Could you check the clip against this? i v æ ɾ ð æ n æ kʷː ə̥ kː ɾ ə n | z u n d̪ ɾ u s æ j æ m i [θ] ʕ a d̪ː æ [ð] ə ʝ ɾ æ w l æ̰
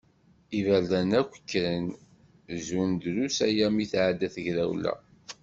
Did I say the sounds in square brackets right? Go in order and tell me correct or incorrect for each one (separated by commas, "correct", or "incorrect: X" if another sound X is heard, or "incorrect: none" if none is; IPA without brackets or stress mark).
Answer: correct, incorrect: θ